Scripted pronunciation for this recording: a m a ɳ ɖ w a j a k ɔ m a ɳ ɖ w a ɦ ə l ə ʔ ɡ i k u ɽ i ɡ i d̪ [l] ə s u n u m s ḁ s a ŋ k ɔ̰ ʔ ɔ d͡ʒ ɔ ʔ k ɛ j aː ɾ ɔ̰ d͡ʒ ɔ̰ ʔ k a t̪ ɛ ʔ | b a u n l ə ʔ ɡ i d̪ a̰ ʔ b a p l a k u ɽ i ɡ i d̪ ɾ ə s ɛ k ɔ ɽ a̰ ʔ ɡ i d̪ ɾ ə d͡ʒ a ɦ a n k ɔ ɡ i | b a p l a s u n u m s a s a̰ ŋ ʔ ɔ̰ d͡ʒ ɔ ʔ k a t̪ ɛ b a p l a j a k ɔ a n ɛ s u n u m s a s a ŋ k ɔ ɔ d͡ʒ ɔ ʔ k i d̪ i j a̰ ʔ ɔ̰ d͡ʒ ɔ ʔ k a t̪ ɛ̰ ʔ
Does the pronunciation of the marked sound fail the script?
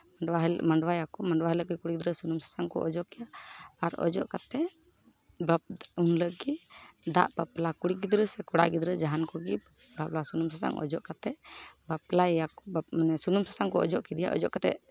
yes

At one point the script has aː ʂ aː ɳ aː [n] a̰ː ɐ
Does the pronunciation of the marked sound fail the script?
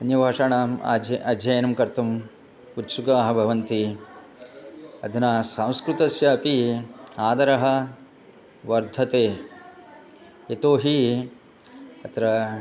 yes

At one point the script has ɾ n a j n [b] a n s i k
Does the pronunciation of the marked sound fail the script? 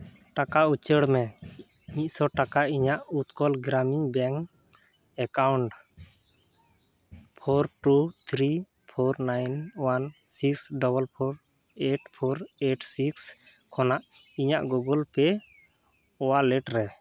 yes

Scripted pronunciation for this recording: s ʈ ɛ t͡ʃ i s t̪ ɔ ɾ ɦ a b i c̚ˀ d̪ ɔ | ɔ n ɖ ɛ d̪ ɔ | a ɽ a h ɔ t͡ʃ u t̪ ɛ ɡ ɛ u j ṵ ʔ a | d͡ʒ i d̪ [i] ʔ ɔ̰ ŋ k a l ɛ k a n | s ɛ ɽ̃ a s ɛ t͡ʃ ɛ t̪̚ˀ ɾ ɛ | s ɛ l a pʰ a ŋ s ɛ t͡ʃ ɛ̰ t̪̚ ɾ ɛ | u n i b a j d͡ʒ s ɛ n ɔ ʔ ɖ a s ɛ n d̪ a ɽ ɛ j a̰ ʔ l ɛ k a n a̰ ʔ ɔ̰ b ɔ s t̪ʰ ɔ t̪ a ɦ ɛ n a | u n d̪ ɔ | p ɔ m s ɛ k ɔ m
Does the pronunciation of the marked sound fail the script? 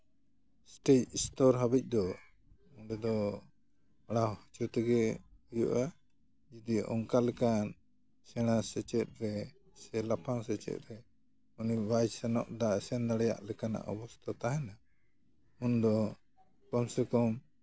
no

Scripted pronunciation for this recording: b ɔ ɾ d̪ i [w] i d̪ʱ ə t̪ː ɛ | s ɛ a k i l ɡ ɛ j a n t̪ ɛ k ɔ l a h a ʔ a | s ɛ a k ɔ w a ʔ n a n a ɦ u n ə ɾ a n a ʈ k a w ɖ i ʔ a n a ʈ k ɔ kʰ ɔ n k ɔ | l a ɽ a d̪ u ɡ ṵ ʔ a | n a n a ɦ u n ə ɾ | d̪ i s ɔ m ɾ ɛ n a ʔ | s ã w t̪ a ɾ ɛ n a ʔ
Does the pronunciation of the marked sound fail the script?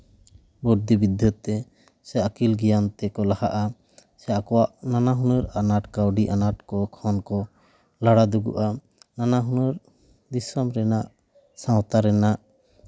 yes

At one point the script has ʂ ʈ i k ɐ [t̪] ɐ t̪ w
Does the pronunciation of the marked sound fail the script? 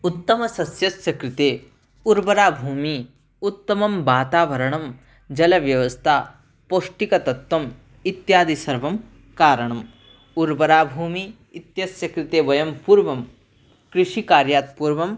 no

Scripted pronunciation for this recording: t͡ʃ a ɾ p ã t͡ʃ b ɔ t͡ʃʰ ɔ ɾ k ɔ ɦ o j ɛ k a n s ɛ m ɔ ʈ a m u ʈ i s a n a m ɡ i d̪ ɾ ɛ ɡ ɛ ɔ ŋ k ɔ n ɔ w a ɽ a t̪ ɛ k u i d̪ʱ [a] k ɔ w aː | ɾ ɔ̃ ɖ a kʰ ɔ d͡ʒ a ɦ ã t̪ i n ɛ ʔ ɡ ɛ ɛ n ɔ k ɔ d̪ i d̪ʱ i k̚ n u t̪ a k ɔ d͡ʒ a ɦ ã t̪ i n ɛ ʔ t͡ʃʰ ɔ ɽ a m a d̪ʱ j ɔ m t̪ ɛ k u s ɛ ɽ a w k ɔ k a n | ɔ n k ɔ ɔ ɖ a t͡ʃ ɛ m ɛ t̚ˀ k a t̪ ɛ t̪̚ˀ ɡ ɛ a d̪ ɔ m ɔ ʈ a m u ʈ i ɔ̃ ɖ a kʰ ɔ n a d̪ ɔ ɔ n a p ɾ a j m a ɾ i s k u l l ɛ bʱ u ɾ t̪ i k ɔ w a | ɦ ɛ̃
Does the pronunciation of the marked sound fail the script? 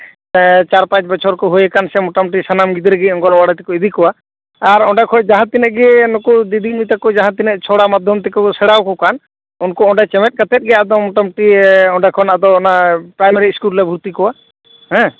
yes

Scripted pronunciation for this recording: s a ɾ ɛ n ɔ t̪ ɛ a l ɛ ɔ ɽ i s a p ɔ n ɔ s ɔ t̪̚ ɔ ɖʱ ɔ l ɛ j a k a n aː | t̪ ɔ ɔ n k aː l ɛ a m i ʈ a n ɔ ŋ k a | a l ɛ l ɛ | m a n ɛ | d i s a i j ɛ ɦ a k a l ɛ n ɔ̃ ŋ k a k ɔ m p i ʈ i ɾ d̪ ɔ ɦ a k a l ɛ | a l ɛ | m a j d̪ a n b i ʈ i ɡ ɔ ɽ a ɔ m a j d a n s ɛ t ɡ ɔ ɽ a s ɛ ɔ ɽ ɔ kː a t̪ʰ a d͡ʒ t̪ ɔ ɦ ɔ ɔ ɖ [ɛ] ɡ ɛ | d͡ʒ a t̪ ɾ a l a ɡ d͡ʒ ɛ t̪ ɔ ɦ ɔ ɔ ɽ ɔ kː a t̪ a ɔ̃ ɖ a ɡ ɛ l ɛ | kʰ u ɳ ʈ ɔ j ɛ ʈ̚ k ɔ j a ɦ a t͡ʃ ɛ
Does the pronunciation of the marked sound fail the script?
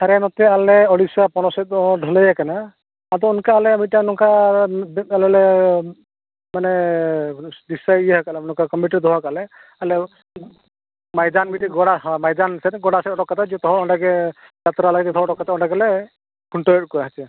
yes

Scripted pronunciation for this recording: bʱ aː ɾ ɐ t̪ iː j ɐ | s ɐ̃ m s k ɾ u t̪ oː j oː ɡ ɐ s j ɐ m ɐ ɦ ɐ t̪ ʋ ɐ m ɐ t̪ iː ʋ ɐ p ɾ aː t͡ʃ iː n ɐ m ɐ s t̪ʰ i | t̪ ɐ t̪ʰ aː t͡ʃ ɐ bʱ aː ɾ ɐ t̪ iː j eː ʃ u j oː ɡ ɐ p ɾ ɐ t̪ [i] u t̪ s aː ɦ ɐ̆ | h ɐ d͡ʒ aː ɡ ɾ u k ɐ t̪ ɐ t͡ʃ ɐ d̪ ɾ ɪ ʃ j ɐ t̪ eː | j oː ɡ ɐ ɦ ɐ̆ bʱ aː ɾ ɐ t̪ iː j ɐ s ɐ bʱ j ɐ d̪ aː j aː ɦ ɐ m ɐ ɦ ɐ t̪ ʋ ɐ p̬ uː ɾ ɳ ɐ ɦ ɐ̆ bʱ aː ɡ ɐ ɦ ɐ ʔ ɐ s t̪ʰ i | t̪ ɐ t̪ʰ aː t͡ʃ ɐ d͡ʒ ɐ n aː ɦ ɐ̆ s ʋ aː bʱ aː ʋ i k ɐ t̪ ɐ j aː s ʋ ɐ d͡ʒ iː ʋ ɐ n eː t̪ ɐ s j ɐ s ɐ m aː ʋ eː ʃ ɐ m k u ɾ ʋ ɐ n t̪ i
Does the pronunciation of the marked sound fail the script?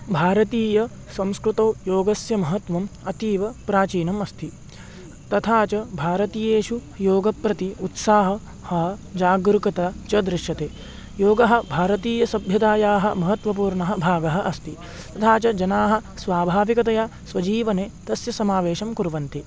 no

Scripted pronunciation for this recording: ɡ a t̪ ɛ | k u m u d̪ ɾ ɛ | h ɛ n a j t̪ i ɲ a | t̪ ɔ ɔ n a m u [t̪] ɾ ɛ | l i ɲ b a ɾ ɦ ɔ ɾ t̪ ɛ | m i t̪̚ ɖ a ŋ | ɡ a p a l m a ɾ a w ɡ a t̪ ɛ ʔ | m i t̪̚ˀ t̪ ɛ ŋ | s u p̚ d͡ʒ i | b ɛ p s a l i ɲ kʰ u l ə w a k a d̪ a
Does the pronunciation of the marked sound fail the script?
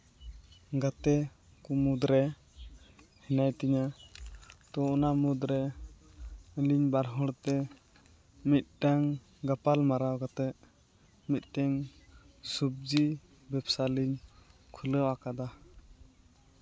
yes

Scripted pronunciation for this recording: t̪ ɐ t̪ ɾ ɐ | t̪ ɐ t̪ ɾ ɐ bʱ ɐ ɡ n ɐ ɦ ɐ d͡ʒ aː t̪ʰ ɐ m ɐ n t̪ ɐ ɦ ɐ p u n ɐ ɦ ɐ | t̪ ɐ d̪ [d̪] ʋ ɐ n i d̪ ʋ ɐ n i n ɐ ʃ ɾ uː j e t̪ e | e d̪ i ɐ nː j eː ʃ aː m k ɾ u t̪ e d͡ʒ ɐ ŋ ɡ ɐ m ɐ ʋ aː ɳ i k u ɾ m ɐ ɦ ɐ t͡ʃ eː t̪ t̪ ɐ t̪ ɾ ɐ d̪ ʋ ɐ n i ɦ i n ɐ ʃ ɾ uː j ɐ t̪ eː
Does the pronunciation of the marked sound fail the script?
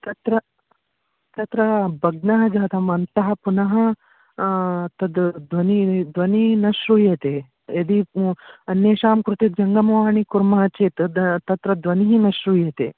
no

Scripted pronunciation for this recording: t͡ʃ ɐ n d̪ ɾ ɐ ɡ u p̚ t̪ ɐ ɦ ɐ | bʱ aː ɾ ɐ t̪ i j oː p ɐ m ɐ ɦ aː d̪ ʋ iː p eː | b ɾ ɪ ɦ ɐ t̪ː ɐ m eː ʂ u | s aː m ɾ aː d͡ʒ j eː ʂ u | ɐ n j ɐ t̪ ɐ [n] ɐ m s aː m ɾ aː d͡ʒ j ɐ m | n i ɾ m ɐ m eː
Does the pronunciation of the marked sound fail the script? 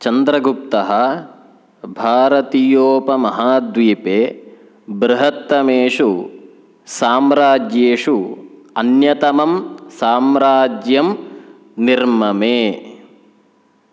yes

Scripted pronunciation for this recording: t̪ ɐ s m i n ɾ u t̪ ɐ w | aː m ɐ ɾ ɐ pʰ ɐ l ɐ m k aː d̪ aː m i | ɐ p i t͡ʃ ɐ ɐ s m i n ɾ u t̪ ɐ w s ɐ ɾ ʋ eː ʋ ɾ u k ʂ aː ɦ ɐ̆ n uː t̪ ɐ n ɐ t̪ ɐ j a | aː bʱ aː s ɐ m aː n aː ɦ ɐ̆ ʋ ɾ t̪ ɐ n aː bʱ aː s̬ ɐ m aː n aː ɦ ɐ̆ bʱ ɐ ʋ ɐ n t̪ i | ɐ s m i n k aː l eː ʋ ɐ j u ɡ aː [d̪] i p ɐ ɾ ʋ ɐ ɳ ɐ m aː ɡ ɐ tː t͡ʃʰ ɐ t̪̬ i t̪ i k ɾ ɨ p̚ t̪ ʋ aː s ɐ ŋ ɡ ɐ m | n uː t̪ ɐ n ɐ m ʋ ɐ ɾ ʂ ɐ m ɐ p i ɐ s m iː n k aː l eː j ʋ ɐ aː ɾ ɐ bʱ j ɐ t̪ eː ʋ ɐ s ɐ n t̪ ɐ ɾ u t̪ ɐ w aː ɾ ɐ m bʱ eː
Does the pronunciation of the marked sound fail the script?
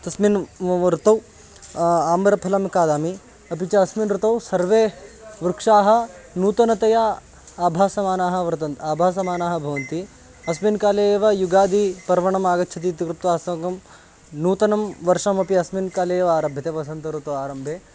no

